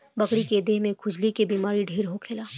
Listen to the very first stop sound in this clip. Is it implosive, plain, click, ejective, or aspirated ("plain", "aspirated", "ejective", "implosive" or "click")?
plain